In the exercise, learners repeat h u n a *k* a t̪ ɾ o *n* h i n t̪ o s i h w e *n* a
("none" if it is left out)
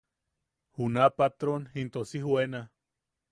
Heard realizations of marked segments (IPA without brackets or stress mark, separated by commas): p, n, n